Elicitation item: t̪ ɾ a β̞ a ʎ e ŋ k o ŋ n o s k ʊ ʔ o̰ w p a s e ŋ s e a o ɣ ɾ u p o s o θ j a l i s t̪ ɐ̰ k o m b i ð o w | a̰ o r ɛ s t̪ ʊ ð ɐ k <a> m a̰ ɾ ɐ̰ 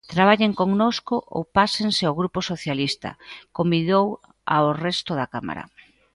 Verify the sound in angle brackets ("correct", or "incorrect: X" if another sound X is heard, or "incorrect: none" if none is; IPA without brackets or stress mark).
correct